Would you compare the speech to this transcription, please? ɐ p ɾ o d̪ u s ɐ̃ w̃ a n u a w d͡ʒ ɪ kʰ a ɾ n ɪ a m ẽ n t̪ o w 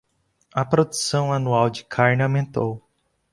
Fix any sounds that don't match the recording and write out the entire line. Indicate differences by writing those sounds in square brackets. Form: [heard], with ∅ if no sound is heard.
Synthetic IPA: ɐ p ɾ o d̪ u s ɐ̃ w̃ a n u a w d͡ʒ ɪ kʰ a ɾ n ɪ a m ẽ n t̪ o w

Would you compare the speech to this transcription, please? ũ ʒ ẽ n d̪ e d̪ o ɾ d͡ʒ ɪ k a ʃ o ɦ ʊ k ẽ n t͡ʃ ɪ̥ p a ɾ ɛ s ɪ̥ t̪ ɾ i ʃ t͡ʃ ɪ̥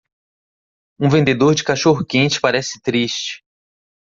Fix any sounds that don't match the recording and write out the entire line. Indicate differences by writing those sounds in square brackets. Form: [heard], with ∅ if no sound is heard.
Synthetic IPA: ũ [v] ẽ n d̪ e d̪ o ɾ d͡ʒ ɪ k a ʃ o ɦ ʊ k ẽ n t͡ʃ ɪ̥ p a ɾ ɛ s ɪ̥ t̪ ɾ i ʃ t͡ʃ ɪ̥

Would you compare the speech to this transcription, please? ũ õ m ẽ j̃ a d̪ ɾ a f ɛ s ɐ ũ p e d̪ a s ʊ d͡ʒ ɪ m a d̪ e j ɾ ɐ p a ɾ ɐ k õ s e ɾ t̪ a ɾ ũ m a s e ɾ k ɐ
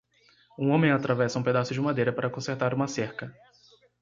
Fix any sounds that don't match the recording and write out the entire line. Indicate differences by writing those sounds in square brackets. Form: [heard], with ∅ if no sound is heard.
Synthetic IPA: ũ õ m ẽ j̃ a [t̪] ɾ a [v] ɛ s ɐ ũ p e d̪ a s ʊ d͡ʒ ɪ m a d̪ e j ɾ ɐ p a ɾ ɐ k õ s e ɾ t̪ a ɾ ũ m [ɐ] s e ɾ k ɐ

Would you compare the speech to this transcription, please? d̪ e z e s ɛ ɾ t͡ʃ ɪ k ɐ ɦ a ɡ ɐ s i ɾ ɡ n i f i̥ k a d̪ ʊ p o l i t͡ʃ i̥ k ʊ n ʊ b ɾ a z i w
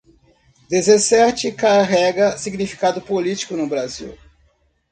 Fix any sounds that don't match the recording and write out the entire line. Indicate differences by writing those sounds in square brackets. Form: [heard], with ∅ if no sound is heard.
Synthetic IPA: d̪ e z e s ɛ ɾ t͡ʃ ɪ k [a] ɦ [ɛ] ɡ ɐ s i [∅] ɡ n i f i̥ k a d̪ ʊ p o l i t͡ʃ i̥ k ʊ n ʊ b ɾ a z i w

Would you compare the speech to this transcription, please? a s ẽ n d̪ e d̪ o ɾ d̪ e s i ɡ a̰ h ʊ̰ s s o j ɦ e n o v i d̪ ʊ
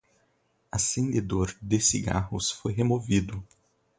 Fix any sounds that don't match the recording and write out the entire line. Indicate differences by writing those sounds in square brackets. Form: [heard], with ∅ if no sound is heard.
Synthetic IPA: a s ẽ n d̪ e d̪ o ɾ d̪ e s i ɡ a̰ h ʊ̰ s [f] o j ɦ e [m] o v i d̪ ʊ

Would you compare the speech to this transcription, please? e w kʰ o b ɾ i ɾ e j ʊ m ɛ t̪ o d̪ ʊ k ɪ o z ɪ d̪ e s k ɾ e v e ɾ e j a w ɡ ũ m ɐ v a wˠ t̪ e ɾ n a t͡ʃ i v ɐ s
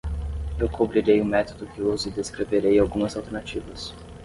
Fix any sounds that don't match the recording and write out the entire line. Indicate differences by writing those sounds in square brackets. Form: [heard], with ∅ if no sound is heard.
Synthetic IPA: e w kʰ o b ɾ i ɾ e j ʊ m ɛ t̪ o d̪ ʊ k ɪ o z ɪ d̪ e s k ɾ e v e ɾ e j a w ɡ ũ m ɐ [z] a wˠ t̪ e ɾ n a t͡ʃ i v ɐ s

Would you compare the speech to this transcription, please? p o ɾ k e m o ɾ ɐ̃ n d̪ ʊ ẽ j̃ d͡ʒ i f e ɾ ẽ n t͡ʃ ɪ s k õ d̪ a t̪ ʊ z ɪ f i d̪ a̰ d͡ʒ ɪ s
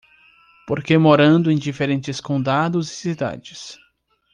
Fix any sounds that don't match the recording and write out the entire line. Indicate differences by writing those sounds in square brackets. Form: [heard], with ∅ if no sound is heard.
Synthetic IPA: p o ɾ k e m o ɾ ɐ̃ n d̪ ʊ ẽ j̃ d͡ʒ i f e ɾ ẽ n t͡ʃ ɪ s k õ d̪ a [d̪] ʊ z ɪ [s] i d̪ a̰ d͡ʒ ɪ s

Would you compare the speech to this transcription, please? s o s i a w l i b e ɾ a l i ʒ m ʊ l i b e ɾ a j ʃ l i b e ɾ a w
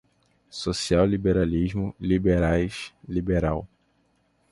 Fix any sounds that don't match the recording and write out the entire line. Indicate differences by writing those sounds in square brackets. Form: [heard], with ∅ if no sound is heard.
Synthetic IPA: s o s i a w l i b e ɾ a l i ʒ m ʊ l i b e ɾ a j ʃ l i b e ɾ a w

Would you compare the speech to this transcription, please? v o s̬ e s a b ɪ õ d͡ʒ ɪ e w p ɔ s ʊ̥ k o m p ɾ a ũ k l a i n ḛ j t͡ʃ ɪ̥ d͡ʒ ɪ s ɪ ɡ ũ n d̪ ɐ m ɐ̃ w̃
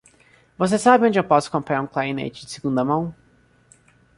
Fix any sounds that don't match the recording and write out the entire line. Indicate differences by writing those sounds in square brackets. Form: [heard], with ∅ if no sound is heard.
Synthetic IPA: v o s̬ e s a b ɪ õ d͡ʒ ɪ e w p ɔ s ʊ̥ k [õ] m p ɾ a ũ k l a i n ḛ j t͡ʃ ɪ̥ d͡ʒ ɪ s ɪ ɡ ũ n d̪ ɐ m ɐ̃ w̃

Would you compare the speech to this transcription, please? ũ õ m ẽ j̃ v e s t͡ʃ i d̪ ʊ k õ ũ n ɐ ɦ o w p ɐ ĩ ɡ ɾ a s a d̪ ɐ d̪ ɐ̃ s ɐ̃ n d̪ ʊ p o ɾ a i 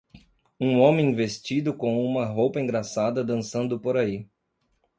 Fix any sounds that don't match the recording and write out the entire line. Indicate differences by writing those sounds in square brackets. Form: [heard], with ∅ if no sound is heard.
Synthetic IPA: ũ õ m ẽ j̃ v e s t͡ʃ i d̪ ʊ k õ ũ [m] ɐ ɦ o w p ɐ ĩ ɡ ɾ a s a d̪ ɐ d̪ ɐ̃ s ɐ̃ n d̪ ʊ p o ɾ a i

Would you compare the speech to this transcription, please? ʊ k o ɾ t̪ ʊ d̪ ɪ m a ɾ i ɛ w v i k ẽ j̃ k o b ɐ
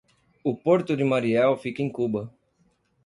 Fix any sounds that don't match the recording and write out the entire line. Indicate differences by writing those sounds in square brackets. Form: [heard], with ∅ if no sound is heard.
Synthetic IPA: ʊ [p] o ɾ t̪ ʊ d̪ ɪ m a ɾ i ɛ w [f] i k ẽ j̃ k [u] b ɐ

